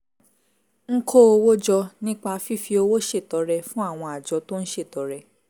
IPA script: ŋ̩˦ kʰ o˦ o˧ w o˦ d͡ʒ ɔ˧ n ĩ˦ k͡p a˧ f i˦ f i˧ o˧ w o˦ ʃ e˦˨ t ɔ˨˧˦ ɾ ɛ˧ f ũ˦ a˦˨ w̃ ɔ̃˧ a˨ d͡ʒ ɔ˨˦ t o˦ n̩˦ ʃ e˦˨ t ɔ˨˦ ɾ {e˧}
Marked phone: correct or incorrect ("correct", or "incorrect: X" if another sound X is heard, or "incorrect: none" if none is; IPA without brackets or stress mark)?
incorrect: ɛ˧